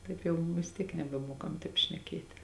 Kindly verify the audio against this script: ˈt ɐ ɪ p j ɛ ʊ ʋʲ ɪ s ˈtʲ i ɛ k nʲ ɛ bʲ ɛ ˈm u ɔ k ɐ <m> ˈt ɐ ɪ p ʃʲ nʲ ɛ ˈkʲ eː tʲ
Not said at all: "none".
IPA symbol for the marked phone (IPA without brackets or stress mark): m